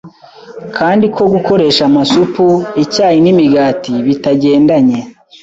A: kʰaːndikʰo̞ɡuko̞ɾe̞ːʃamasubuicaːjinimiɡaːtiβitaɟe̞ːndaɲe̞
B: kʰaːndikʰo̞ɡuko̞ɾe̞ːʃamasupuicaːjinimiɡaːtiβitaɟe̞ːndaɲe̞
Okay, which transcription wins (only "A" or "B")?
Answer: B